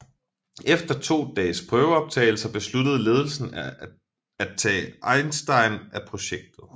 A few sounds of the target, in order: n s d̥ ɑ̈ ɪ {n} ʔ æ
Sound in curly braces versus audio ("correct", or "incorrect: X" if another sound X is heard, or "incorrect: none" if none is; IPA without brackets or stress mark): correct